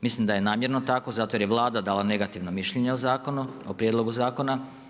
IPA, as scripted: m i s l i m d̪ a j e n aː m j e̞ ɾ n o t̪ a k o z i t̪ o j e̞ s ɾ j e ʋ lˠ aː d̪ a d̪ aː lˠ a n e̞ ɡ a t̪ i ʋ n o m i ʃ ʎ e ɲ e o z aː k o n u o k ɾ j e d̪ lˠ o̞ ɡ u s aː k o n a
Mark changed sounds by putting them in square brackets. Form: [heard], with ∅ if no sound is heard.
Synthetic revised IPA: m i s l i m d̪ a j e n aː m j e̞ ɾ n o t̪ a k o z [a] t̪ o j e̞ [∅] ɾ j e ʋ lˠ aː d̪ a d̪ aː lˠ a n e̞ ɡ a t̪ i ʋ n o m i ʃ ʎ e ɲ e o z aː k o n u o [p] ɾ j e d̪ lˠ o̞ ɡ u [z] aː k o n a